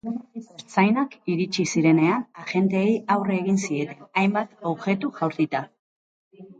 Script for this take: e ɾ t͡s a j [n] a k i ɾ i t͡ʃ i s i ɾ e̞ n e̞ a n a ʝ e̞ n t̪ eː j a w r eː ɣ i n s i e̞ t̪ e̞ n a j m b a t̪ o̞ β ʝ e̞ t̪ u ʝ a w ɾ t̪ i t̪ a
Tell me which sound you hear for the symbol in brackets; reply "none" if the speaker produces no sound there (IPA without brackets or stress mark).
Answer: n